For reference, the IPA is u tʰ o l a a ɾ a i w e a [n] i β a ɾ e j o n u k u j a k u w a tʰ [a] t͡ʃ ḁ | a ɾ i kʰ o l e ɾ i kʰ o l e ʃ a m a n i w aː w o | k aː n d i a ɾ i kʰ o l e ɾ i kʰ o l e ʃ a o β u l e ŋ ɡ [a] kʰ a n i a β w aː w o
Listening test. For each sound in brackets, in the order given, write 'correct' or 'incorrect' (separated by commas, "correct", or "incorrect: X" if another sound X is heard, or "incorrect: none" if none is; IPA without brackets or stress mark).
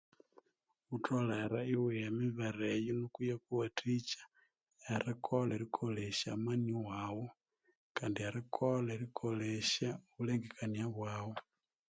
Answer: incorrect: m, incorrect: i, incorrect: e